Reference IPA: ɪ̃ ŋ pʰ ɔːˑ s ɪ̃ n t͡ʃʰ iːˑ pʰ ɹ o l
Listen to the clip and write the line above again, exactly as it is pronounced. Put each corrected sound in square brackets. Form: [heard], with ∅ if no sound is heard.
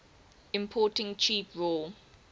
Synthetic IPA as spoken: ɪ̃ [m] pʰ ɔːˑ [t] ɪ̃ [ŋ] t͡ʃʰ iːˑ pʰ ɹ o l